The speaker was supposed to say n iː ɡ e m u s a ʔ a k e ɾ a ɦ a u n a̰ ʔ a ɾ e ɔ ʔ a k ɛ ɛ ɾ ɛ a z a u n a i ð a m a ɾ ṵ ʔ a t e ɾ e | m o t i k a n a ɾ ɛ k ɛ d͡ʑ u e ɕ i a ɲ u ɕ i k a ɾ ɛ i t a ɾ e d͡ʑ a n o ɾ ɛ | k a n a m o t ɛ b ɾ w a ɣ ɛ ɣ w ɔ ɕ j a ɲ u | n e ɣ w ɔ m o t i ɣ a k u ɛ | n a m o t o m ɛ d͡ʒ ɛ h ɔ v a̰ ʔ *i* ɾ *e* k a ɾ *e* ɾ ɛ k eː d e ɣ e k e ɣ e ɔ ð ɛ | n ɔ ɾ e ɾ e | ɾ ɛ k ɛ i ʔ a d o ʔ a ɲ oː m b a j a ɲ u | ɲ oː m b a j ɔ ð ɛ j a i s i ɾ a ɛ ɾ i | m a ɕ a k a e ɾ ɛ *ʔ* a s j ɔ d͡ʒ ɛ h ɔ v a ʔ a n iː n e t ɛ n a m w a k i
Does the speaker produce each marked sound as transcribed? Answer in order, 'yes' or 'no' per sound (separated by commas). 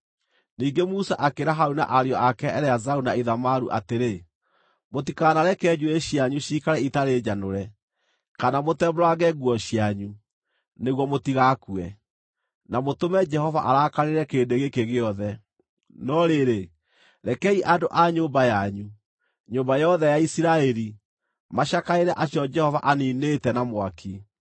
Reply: no, no, yes, yes